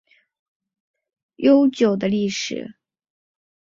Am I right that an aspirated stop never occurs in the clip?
yes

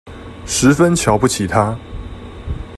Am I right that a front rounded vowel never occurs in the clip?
yes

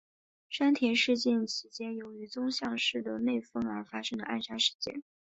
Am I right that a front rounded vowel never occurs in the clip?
no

